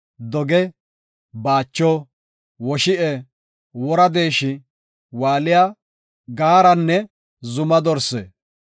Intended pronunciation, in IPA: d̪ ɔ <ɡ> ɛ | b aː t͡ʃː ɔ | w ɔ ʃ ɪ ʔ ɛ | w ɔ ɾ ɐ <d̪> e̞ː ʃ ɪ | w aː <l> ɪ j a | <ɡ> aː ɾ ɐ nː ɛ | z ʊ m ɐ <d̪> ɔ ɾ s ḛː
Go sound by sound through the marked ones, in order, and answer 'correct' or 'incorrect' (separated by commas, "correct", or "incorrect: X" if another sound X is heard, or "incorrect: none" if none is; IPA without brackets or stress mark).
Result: correct, correct, correct, correct, correct